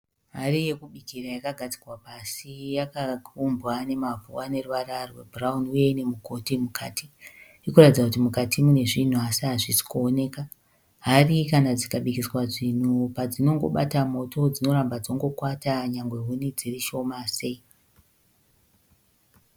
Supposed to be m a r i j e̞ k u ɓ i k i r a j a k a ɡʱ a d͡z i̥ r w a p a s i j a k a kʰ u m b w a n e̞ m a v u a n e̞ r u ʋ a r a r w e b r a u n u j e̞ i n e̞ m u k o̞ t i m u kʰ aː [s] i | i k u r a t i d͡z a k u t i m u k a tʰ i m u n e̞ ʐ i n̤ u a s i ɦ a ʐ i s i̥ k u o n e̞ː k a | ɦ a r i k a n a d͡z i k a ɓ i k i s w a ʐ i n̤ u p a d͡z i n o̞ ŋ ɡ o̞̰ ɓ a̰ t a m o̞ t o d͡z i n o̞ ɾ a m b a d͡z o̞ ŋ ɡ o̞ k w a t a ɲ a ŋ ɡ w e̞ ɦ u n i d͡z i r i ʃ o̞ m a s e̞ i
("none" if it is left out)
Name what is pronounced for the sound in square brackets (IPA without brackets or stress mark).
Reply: t